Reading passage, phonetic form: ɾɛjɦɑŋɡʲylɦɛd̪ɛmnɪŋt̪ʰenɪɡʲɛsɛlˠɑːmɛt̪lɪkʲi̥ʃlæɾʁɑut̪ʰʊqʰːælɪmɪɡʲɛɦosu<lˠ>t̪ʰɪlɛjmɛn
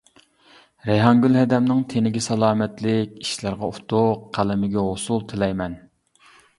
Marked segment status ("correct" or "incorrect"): correct